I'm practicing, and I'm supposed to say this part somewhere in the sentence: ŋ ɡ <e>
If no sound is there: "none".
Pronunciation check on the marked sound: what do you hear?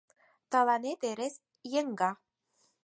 a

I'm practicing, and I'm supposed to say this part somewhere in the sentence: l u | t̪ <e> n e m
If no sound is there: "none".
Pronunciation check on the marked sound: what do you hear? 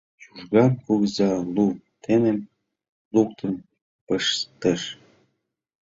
e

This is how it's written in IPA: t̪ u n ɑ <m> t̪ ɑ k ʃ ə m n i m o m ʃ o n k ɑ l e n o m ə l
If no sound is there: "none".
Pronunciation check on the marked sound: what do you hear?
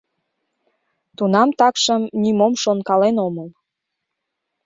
m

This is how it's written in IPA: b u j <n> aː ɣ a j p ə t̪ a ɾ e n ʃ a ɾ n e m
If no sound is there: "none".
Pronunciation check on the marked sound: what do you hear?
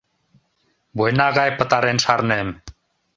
n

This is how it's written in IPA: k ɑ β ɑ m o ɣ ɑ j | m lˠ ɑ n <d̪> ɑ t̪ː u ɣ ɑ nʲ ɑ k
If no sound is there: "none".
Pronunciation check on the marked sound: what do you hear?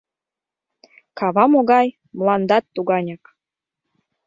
d̪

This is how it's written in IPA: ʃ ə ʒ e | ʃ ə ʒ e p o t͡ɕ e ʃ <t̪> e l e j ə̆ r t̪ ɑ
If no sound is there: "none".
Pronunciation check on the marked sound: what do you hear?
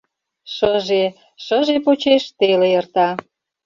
t̪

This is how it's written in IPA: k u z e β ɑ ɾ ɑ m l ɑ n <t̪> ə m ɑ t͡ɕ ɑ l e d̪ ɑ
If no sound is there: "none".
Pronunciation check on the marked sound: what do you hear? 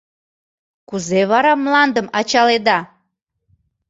d̪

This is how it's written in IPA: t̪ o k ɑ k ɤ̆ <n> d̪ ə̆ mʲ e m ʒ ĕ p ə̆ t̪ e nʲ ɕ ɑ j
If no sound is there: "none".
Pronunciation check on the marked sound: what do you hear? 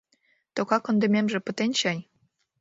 n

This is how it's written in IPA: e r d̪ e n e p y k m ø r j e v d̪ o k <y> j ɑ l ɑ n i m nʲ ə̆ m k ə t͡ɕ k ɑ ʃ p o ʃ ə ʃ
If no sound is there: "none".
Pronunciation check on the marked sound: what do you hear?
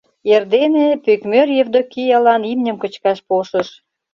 i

